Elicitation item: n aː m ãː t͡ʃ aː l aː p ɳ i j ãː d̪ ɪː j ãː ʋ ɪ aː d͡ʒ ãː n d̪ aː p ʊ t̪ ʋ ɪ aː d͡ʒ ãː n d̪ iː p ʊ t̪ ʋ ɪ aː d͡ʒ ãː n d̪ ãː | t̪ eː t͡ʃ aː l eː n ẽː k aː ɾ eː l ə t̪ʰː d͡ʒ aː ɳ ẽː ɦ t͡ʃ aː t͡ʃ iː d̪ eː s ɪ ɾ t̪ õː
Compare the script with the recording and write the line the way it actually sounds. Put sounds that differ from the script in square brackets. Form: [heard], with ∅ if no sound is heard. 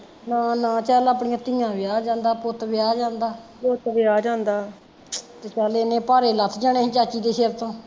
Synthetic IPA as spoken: n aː [n] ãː t͡ʃ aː l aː p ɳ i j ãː [t̪] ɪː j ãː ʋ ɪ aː d͡ʒ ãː n d̪ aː p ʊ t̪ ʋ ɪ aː d͡ʒ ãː n d̪ [aː] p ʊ t̪ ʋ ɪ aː d͡ʒ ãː n d̪ [aː] | t̪ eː t͡ʃ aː l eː n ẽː [p] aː ɾ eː l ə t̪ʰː d͡ʒ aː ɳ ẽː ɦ t͡ʃ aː t͡ʃ iː d̪ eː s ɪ ɾ t̪ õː